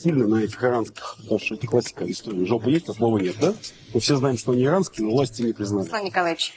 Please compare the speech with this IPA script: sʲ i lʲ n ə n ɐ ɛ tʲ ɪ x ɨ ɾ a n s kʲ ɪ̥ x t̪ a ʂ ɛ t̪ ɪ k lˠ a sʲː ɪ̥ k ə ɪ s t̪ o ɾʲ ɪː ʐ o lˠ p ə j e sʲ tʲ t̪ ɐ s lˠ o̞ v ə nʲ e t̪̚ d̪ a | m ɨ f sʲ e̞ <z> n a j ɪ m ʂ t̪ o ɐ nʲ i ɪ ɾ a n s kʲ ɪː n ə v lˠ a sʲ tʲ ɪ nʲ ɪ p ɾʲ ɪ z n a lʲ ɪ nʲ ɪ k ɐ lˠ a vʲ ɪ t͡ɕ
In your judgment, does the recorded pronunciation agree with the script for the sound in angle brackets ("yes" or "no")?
yes